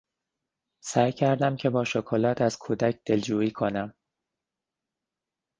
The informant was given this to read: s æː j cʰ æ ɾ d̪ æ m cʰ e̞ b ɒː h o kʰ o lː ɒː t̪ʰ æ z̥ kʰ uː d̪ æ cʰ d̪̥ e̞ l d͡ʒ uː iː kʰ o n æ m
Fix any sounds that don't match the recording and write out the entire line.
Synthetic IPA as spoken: s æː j cʰ æ ɾ d̪ æ m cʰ e̞ b ɒː ʃ o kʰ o l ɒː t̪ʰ æ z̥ kʰ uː d̪ æ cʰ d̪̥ e̞ l d͡ʒ uː iː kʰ o n æ m

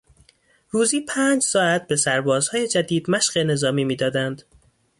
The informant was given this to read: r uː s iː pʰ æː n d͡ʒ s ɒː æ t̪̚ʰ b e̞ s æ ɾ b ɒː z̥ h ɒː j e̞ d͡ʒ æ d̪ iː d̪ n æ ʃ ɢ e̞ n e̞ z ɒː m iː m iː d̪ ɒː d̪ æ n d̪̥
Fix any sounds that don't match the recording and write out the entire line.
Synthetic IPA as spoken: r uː z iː pʰ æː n d͡ʒ s ɒː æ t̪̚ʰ b e̞ s æ ɾ b ɒː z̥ h ɒː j e̞ d͡ʒ æ d̪ iː d̪ m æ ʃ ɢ e̞ n e̞ z ɒː m iː m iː d̪ ɒː d̪ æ n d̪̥

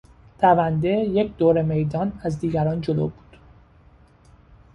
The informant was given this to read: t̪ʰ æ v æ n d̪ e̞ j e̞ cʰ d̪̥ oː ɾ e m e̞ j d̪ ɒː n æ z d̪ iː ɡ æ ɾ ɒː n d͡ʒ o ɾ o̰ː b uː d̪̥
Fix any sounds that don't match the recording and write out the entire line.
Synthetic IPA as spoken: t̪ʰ æ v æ n d̪ e̞ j e̞ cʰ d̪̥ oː ɾ e m e̞ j d̪ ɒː n æ z d̪ iː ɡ æ ɾ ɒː n d͡ʒ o l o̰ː b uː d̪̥

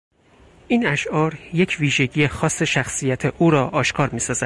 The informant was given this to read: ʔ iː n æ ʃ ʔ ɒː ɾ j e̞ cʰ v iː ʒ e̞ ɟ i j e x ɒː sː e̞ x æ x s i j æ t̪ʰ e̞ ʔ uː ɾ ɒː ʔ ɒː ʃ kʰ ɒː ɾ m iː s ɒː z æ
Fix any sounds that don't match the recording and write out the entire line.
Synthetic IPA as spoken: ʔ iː n æ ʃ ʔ ɒː ɾ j e̞ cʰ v iː ʒ e̞ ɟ i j e x ɒː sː e̞ ʃ æ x s i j æ t̪ʰ e̞ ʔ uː ɾ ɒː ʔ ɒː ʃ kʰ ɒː ɾ m iː s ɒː z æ

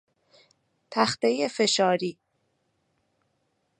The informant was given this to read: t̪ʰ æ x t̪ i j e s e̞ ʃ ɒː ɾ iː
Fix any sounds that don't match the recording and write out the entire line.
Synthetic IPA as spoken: t̪ʰ æ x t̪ e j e f e̞ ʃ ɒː ɾ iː

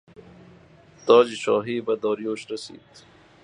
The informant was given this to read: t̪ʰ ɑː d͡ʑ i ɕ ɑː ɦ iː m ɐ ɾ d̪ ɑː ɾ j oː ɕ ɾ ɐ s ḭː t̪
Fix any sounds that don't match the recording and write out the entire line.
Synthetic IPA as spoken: t̪ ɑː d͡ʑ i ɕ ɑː ɦ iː b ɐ d̪ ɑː ɾ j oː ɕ ɾ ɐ s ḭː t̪

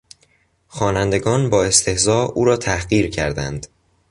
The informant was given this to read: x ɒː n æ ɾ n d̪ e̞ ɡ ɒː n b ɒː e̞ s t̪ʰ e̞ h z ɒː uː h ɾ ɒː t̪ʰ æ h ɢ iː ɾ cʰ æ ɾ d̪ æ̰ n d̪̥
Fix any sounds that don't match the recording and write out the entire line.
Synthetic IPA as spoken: x ɒː n æ n d̪ e̞ ɡ ɒː n b ɒː e̞ s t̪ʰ e̞ h z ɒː uː ɾ ɒː t̪ʰ æ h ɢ iː ɾ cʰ æ ɾ d̪ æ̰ n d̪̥

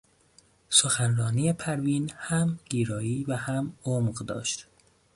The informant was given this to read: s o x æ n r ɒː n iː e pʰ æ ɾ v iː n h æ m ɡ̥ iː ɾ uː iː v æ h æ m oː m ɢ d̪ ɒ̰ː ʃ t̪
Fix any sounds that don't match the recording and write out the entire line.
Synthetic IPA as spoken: s o x æ n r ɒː n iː e pʰ æ ɾ v iː n h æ m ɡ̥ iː ɾ ɒː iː v æ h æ m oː m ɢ d̪ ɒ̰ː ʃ t̪

